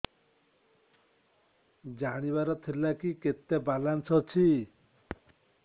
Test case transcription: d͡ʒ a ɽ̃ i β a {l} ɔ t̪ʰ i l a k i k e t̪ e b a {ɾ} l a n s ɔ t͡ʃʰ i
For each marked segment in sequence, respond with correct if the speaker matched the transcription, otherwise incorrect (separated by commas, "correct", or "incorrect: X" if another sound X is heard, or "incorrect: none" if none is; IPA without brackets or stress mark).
incorrect: ɾ, incorrect: none